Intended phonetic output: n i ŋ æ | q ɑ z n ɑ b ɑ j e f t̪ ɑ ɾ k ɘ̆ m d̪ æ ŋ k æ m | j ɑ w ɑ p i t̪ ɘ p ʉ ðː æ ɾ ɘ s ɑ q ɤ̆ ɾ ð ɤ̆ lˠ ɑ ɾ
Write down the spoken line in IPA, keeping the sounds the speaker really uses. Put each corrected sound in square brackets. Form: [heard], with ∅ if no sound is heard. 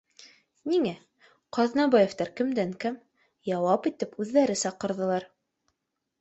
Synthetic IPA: n i ŋ æ | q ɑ [ð] n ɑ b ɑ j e f t̪ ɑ ɾ k ɘ̆ m d̪ æ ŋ k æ m | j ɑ w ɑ p i t̪ ɘ p ʉ ðː æ ɾ ɘ s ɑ q ɤ̆ ɾ ð ɤ̆ lˠ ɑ ɾ